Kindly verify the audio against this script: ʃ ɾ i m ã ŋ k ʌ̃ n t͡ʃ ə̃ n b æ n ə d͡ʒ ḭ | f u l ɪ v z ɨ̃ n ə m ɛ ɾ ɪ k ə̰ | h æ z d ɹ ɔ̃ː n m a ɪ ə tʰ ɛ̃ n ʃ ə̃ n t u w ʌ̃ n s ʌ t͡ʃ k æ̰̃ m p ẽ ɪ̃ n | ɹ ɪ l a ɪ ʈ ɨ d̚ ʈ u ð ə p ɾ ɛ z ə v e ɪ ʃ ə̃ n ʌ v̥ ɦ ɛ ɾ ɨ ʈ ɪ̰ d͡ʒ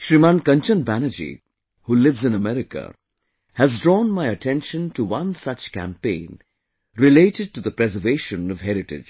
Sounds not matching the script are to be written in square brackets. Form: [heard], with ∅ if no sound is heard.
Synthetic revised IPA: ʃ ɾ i m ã [n] k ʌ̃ n t͡ʃ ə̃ n b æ n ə d͡ʒ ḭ | [h] u l ɪ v z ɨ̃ n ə m ɛ ɾ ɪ k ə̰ | h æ z d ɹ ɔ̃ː n m a ɪ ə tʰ ɛ̃ n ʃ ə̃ n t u w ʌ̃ n s ʌ t͡ʃ k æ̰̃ m p ẽ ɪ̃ n | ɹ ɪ l [e] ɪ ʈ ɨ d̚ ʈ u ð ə p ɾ ɛ z ə v e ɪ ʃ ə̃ n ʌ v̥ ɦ ɛ ɾ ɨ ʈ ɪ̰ d͡ʒ